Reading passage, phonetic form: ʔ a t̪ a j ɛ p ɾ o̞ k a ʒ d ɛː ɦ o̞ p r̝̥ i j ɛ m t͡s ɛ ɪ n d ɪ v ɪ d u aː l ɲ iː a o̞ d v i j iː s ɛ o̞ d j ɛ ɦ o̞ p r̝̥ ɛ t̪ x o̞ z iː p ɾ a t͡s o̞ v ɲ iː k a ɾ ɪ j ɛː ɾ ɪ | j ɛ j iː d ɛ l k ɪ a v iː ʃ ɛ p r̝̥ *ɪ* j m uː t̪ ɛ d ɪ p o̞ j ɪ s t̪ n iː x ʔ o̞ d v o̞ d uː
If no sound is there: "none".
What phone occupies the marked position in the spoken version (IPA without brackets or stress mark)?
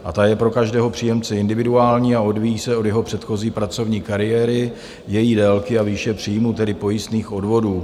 i